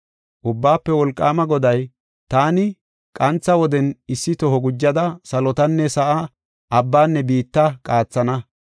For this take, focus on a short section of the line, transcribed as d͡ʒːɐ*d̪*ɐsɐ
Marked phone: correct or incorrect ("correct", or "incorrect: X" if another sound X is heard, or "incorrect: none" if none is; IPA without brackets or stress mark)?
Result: correct